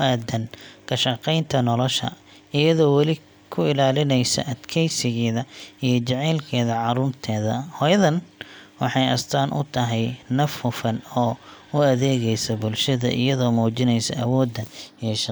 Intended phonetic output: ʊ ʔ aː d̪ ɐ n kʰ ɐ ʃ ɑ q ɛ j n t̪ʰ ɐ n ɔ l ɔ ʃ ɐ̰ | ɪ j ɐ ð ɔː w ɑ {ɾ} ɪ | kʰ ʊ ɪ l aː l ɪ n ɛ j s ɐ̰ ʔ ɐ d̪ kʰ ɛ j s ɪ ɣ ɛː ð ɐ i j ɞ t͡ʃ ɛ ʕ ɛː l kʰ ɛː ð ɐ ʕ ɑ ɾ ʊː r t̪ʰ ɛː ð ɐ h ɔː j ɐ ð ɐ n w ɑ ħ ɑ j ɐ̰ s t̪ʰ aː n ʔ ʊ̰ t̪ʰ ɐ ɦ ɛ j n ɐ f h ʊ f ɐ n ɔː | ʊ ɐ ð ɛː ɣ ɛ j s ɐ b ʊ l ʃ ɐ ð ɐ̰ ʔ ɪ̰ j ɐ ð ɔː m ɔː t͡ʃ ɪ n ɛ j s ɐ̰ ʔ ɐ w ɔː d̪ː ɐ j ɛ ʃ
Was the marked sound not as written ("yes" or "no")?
yes